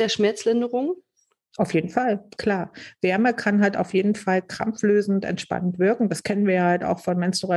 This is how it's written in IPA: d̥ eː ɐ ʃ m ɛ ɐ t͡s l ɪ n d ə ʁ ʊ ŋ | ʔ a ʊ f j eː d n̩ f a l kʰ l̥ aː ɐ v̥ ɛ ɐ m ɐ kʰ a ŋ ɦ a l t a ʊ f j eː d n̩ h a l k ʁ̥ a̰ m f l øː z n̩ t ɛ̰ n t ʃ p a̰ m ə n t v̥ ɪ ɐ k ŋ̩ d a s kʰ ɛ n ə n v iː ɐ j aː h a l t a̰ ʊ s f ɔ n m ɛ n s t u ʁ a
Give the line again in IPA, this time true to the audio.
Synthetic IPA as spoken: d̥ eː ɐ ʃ m ɛ ɐ t͡s l ɪ n d ə ʁ ʊ ŋ | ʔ a ʊ f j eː d n̩ f a l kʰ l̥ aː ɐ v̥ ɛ ɐ m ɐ kʰ a n ɦ a l t a ʊ f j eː d n̩ f a l k ʁ̥ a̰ m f l øː z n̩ t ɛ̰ n t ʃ p a̰ n ə n t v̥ ɪ ɐ k ŋ̩ d a s kʰ ɛ n ə n v iː ɐ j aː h a l t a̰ ʊ x f ɔ n m ɛ n s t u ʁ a